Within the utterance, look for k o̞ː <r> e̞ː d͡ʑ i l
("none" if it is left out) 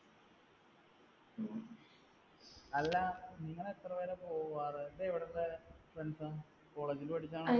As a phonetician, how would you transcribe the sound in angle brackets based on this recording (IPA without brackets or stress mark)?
ɭ